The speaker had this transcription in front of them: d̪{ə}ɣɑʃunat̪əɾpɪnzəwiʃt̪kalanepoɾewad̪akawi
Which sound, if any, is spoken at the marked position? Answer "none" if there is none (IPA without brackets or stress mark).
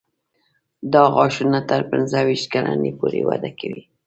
ɑ